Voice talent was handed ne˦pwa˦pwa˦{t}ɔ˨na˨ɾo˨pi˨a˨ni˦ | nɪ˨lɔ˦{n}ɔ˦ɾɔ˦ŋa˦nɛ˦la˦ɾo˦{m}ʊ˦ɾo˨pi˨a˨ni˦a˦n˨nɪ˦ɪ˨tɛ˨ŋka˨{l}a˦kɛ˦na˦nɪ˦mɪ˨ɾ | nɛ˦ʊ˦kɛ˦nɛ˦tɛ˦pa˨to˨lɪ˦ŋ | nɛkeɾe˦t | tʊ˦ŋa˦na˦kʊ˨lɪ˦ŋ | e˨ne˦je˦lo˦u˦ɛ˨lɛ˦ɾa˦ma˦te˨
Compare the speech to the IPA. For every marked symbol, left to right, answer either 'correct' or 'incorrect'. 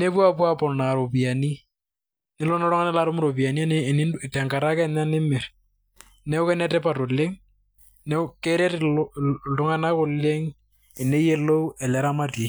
incorrect, correct, correct, incorrect

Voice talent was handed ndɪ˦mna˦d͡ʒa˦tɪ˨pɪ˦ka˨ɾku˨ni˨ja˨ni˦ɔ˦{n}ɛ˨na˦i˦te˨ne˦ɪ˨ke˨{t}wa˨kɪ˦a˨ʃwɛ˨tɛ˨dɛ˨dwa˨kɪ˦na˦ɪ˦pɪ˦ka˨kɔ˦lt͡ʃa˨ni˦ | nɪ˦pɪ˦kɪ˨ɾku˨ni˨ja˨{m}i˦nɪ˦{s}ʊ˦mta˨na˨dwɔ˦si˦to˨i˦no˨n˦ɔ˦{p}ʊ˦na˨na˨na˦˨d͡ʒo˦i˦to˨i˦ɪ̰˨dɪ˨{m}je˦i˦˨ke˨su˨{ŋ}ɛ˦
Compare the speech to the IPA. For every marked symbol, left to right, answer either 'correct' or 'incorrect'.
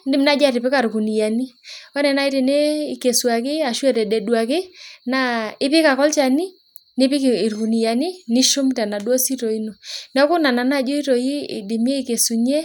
correct, incorrect, incorrect, incorrect, incorrect, correct, incorrect

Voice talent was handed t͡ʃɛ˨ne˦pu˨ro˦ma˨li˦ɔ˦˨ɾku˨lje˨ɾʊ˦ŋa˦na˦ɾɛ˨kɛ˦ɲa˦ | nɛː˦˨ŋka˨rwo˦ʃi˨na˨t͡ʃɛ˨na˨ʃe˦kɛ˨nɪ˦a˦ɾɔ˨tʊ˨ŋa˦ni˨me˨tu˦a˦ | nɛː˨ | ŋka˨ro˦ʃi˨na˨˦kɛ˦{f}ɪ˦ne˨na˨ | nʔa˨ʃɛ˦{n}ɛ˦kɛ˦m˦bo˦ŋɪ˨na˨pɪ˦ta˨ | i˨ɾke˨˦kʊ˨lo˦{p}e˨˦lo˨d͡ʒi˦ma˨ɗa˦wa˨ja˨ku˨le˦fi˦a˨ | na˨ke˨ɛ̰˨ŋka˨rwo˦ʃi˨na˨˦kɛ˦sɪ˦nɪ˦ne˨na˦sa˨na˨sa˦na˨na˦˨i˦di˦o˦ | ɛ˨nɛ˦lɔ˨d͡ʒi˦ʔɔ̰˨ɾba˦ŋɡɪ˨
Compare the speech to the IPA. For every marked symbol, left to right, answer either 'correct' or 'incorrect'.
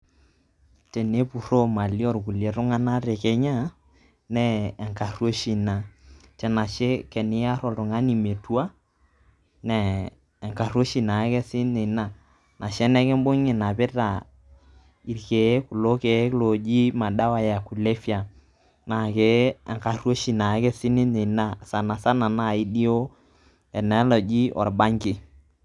incorrect, correct, incorrect

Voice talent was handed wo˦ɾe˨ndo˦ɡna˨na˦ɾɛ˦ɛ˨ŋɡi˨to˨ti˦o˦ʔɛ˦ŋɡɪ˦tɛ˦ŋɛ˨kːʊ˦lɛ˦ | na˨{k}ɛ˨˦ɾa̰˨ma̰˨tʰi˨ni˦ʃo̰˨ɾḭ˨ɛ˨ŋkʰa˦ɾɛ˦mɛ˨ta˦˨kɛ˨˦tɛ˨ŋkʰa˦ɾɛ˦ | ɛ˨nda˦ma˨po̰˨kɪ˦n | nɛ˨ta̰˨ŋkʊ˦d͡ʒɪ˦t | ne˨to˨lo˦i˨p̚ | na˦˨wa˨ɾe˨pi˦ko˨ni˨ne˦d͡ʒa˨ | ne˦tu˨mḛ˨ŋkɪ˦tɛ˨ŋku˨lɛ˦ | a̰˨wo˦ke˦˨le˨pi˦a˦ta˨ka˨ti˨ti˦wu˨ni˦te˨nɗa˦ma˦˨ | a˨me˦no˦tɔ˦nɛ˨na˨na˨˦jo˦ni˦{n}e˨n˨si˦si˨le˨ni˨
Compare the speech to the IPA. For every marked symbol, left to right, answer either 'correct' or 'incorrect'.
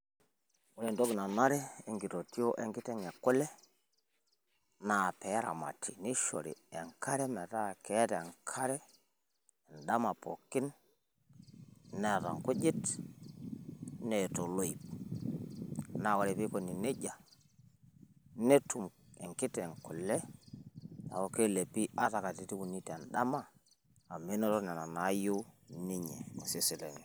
incorrect, incorrect

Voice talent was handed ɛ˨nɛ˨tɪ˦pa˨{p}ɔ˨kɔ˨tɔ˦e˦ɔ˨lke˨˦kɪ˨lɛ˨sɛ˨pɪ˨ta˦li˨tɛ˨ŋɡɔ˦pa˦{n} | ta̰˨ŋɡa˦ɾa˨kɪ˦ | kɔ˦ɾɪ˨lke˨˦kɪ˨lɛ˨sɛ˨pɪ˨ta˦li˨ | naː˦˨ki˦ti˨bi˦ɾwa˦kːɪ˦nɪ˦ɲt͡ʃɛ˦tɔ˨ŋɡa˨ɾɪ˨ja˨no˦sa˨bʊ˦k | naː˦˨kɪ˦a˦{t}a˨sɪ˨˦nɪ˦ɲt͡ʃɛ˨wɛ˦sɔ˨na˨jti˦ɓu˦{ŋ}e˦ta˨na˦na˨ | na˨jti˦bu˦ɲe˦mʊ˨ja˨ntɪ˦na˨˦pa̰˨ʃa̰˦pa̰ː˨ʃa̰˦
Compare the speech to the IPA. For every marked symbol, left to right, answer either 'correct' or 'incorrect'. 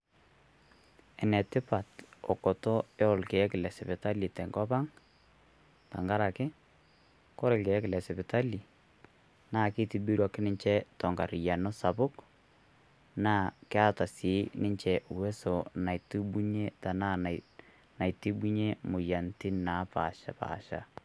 incorrect, incorrect, correct, incorrect

